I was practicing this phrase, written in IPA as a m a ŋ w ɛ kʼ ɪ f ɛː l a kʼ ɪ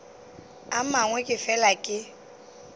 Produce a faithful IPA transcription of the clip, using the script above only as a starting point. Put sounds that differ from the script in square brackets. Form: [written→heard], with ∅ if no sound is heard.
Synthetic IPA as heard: a m a ŋ w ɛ kʼ ɪ f [ɛː→ɛ] l a kʼ ɪ